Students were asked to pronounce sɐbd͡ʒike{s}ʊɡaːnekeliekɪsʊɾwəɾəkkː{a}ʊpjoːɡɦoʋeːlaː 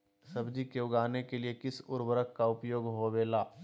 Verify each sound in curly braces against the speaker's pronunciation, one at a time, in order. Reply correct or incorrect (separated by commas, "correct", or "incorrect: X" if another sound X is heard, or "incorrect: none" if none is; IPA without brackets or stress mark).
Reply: incorrect: none, correct